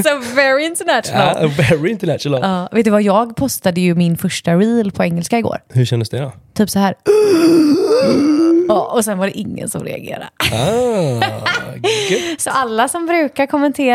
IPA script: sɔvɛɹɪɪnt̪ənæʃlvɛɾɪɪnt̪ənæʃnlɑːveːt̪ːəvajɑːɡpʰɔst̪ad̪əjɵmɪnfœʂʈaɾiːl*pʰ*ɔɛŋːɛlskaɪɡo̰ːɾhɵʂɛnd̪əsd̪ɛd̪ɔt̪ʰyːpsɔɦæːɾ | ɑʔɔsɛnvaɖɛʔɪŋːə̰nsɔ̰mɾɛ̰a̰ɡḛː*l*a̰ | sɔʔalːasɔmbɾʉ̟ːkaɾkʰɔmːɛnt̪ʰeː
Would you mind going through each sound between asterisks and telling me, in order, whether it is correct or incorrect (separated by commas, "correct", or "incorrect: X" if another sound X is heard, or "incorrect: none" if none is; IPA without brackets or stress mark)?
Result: correct, incorrect: ɾ